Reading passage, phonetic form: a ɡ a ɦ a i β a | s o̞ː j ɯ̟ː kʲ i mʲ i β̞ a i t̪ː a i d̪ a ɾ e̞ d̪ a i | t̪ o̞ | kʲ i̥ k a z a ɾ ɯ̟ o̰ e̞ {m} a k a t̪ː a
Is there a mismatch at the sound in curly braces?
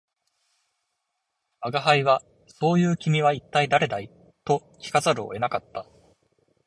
yes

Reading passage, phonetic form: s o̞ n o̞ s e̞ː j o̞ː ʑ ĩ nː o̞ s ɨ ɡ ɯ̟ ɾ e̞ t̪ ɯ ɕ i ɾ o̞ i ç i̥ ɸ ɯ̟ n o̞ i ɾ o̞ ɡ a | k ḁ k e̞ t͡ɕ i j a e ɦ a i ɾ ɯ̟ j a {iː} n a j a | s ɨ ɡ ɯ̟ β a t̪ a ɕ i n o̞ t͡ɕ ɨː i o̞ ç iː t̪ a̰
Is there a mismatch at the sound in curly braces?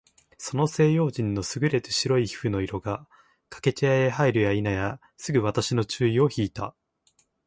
yes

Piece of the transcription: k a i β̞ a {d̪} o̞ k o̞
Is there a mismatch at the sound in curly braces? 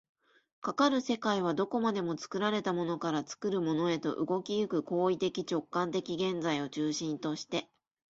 no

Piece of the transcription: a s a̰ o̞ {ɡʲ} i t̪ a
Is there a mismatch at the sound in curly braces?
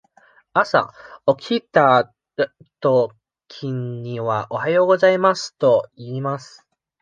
yes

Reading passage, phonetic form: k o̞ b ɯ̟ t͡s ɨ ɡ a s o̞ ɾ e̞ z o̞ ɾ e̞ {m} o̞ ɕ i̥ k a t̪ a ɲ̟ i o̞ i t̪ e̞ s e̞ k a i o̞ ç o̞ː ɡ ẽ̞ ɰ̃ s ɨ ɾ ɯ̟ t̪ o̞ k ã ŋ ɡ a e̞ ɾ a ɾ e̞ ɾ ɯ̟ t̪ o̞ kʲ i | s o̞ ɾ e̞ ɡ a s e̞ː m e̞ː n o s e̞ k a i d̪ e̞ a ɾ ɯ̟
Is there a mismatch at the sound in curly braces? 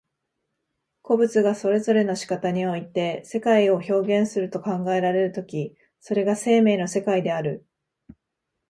yes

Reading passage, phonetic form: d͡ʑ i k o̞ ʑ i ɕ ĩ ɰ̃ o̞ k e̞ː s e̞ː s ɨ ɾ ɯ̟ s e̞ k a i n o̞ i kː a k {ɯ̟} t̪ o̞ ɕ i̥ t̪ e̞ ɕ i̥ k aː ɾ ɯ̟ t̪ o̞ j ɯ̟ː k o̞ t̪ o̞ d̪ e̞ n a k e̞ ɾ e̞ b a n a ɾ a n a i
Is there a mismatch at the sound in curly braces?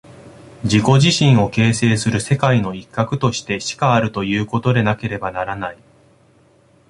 no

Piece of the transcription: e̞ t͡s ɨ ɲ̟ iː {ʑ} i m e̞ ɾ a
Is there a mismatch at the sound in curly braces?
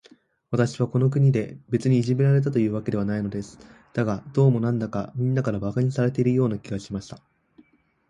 no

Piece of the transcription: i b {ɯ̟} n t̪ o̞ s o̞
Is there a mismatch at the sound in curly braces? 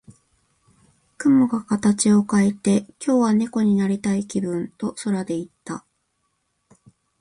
yes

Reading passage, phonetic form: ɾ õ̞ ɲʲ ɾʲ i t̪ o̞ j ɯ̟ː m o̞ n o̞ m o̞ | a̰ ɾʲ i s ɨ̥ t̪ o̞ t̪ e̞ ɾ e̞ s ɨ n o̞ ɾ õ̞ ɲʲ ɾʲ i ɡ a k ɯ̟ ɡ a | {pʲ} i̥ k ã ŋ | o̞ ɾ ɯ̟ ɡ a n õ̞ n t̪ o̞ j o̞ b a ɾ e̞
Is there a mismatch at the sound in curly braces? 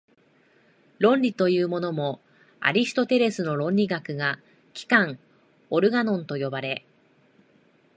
yes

